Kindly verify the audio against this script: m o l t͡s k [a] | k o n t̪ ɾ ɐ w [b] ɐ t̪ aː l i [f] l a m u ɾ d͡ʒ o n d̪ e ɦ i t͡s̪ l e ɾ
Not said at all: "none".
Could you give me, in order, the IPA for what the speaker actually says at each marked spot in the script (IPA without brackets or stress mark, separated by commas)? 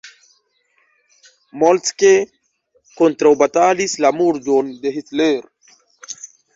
e, b, s